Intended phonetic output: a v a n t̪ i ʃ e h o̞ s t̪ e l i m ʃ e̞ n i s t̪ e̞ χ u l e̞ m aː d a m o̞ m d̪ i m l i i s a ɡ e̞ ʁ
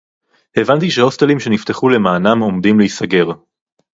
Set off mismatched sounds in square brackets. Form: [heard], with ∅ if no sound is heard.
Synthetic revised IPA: [e] v a n t̪ i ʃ e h o̞ s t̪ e l i m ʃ e̞ n i [f] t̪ e̞ χ u l e̞ m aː [n] a m o̞ m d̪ i m l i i s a ɡ e̞ ʁ